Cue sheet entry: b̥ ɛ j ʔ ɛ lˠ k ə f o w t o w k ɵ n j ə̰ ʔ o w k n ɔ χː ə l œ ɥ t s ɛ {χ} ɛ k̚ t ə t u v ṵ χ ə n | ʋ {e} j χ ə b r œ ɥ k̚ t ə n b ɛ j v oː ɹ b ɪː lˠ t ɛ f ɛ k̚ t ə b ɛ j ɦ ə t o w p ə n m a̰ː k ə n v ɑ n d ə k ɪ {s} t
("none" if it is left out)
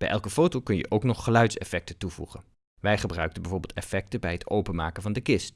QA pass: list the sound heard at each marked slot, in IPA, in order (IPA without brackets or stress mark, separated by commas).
f, ɛ, s